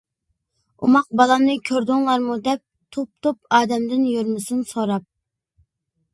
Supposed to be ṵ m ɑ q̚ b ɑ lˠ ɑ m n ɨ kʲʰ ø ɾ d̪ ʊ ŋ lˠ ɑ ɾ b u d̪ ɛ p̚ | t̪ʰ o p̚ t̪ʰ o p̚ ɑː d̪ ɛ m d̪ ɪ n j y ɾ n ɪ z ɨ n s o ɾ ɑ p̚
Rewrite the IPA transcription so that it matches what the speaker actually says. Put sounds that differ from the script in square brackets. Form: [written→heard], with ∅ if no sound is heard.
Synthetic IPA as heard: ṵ m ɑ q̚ b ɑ lˠ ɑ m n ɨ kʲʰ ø ɾ d̪ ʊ ŋ lˠ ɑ ɾ [b→m] u d̪ ɛ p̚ | t̪ʰ o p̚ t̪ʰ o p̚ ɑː d̪ ɛ m d̪ ɪ n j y ɾ [n→m] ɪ [z→s] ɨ n s o ɾ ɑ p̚